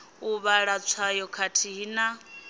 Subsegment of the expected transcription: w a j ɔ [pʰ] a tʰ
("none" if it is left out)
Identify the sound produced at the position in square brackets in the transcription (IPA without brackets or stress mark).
kʰ